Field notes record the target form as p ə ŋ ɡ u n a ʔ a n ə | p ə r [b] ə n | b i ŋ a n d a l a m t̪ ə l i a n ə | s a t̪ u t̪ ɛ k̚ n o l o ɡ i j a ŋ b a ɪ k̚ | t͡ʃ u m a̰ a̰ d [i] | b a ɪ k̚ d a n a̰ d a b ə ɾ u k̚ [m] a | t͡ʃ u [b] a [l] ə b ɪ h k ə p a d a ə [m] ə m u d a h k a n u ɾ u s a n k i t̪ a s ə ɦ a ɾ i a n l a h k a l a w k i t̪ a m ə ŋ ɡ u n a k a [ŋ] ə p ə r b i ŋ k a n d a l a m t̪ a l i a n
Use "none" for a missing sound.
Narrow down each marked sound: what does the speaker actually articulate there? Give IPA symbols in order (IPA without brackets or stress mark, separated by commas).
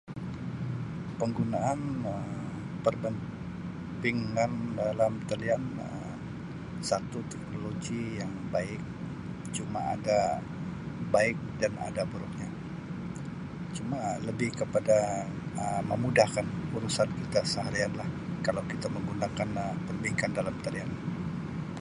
b, a, ɲ, m, l, m, n